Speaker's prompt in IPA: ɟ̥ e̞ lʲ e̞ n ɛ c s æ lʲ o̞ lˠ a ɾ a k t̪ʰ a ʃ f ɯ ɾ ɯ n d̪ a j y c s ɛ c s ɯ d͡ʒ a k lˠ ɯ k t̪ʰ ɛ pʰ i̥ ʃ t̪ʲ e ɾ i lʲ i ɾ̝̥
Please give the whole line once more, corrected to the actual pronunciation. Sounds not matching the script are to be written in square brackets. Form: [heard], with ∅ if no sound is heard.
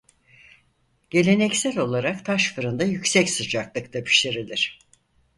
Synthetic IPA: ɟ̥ e̞ lʲ e̞ n ɛ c s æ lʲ o̞ lˠ a ɾ a k t̪ʰ a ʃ f ɯ ɾ ɯ n d̪ a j y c s ɛ c s ɯ d͡ʒ a k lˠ ɯ k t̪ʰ [a] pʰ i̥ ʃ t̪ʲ e ɾ i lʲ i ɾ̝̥